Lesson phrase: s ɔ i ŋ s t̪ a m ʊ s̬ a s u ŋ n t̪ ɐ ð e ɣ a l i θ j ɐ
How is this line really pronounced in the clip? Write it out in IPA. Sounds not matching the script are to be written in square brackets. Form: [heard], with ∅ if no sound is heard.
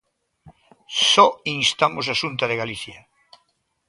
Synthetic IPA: s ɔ i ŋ s t̪ a m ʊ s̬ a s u [∅] n t̪ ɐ ð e ɣ a l i θ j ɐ